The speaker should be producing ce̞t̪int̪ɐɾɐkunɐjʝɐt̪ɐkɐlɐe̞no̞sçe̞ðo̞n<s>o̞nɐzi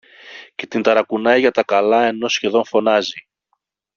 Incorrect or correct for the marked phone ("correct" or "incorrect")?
incorrect